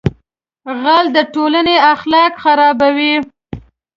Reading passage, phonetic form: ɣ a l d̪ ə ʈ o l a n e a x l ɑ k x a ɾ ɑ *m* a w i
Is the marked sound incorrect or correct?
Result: incorrect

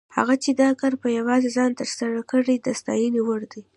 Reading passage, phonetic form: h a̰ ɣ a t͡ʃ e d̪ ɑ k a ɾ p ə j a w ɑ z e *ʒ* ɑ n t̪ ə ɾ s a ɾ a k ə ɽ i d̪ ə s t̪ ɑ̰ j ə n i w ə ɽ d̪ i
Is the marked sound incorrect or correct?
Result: incorrect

